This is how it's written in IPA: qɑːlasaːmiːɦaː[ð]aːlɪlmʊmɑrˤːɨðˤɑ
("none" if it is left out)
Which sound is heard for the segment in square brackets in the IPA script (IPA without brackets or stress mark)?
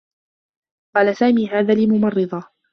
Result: ð